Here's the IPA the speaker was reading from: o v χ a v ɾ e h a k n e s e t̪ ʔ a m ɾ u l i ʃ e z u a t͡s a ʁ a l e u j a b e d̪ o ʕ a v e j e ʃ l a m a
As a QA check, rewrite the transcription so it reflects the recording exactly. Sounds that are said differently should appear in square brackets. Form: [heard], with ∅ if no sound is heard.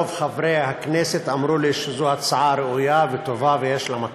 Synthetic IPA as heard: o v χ a v ɾ e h a k n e s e t̪ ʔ a m ɾ u l i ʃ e z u a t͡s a [ʕ] a [ɾ] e u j a [v] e [t̪] o [v] a v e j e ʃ l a m a